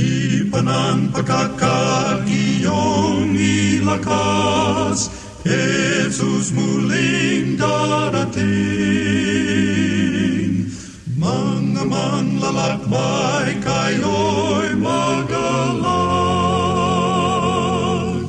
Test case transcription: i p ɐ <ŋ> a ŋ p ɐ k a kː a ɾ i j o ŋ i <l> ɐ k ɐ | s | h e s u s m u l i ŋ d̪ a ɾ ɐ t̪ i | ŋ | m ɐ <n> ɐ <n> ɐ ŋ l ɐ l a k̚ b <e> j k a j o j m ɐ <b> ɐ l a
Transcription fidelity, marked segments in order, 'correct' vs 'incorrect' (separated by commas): incorrect, correct, incorrect, incorrect, incorrect, incorrect